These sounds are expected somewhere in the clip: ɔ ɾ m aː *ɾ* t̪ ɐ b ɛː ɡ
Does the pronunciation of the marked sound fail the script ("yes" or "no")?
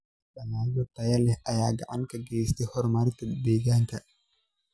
no